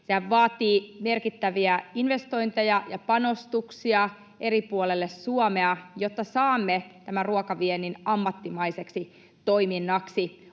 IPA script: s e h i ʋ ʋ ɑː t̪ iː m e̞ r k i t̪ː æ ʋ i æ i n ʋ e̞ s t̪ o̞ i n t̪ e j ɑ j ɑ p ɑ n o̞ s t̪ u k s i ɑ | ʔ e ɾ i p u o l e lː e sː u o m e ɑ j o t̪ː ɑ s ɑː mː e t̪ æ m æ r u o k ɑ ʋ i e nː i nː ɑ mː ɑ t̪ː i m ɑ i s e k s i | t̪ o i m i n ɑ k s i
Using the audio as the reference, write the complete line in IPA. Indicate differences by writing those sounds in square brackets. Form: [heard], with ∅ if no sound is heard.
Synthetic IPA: s e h [æ] ʋ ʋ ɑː t̪ iː m e̞ r k i t̪ː æ ʋ i æ i n ʋ e̞ s t̪ o̞ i n t̪ e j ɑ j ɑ p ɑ n o̞ s t̪ u k s i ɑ | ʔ e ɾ i p u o l e lː e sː u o m e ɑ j o t̪ː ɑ s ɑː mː e t̪ æ m æ r u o k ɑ ʋ i e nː i [n] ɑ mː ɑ t̪ː i m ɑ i s e k s i | t̪ o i m i [nː] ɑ k s i

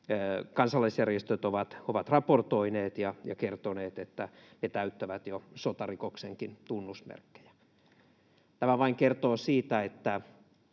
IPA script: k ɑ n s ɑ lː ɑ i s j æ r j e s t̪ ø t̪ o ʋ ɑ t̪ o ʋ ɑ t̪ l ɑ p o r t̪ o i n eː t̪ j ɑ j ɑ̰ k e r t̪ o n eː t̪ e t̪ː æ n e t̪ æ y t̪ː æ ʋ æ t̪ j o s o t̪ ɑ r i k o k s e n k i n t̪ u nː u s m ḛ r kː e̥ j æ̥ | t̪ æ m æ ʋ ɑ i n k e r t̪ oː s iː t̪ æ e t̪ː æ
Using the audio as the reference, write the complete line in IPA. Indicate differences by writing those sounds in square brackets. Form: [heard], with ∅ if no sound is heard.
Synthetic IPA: k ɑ n s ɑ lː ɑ i s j æ r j e s t̪ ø t̪ o ʋ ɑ t̪ o ʋ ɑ t̪ [r] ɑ p o r t̪ o i n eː t̪ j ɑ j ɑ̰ k e r t̪ o n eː t̪ e t̪ː æ n e t̪ æ y t̪ː æ ʋ æ t̪ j o s o t̪ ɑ r i k o k s e [ŋ] k i n t̪ u nː u s m ḛ r kː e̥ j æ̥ | t̪ æ m æ ʋ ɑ i [ŋ] k e r t̪ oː s iː t̪ æ e t̪ː æ

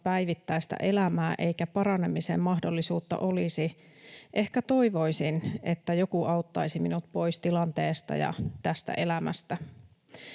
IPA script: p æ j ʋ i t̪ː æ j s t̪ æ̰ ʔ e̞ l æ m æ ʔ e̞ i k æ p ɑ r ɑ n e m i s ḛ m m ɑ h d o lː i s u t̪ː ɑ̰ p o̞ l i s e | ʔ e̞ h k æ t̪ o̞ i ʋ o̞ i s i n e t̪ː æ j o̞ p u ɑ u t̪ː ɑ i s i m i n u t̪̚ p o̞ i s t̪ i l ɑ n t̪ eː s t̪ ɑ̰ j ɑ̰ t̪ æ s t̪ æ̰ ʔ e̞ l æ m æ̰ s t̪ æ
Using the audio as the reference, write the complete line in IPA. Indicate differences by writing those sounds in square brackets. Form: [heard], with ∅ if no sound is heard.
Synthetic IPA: p æ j ʋ i t̪ː æ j s t̪ æ̰ ʔ e̞ l æ m [æː] ʔ e̞ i k æ p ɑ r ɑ n e m i s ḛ m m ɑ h d o lː i s [uː] t̪ː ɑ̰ [ʔ] o̞ l i s [i] | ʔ e̞ h k æ t̪ o̞ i ʋ o̞ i s i n e t̪ː æ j o̞ [k] u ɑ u t̪ː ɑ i s i m i n u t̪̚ p o̞ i s t̪ i l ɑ n t̪ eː s t̪ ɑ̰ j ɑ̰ t̪ æ s t̪ æ̰ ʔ e̞ l æ m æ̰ s t̪ æ

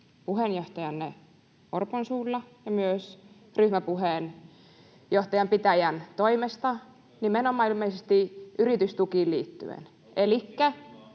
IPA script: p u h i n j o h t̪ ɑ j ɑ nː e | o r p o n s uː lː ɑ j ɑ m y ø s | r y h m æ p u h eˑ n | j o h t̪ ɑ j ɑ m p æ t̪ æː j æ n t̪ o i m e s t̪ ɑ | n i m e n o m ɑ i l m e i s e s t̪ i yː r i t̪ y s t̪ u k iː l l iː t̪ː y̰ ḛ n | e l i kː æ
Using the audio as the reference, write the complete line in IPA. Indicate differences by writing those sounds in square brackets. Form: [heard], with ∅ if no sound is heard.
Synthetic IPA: p u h [e] n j o h t̪ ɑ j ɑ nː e | o r p o n s uː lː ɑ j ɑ m y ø s | r y h m æ p u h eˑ n | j o h t̪ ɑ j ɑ m p [i] t̪ [æ] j æ n t̪ o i m e s t̪ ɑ | n i m e n o m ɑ i l m e i s e s t̪ i [y] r i t̪ y s t̪ u k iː l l iː t̪ː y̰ ḛ n | e l i kː æ

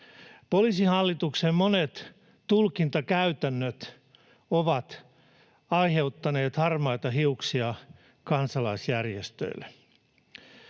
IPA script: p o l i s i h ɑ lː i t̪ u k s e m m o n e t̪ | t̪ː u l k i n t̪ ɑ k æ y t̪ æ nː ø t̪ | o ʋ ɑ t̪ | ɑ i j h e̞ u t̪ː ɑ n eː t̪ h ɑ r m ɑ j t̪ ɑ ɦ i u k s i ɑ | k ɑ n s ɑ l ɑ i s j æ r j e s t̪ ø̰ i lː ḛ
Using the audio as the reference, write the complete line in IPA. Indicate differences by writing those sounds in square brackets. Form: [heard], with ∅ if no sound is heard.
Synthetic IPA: p o l i s i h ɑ lː i t̪ u k s e m m o n e t̪ | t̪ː u l k i n t̪ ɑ k æ y t̪ æ nː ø t̪ | o ʋ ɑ t̪ | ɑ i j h e̞ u t̪ː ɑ n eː t̪ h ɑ r m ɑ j t̪ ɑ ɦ i u k s i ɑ | k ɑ n s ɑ l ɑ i s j æ r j e s t̪ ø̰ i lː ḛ

